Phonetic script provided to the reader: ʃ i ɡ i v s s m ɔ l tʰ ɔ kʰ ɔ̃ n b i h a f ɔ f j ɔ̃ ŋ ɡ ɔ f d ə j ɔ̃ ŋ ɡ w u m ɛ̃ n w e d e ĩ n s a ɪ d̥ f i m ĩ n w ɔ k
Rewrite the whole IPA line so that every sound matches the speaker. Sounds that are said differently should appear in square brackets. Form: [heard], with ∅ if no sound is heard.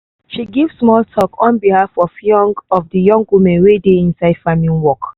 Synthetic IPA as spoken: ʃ i ɡ i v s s m ɔ l tʰ ɔ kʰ ɔ̃ n b i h a f ɔ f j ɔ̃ ŋ ɡ ɔ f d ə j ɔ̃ ŋ ɡ w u m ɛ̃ n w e d e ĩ n s a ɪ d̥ f [a] m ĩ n w ɔ k

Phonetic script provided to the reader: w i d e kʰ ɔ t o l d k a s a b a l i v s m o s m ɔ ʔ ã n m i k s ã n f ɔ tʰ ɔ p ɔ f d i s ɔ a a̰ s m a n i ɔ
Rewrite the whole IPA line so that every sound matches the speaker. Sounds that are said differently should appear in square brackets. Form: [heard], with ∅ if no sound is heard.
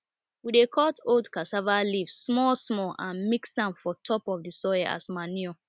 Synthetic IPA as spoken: w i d e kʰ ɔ t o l d k a s a [v] a l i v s m [ɔ] s m ɔ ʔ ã n m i k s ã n f ɔ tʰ ɔ p ɔ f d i s ɔ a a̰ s m a n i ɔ

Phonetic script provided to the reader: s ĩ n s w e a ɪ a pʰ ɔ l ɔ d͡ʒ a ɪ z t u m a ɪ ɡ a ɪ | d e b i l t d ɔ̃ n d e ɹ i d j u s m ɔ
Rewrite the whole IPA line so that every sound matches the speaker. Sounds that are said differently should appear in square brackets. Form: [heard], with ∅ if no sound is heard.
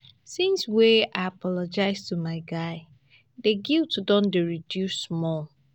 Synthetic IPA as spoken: s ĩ n s w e a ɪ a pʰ ɔ l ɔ d͡ʒ a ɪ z t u m a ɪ ɡ a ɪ | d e [ɡ] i l t d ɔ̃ n d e ɹ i d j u s m ɔ

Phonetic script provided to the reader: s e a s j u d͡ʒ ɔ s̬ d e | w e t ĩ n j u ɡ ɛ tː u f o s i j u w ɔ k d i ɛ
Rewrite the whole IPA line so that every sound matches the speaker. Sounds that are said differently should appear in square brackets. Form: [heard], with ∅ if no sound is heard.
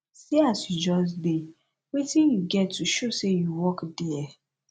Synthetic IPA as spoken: s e a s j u d͡ʒ ɔ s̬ d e | w e t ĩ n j u ɡ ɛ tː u [ʃ] o s [e] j u w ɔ k d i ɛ

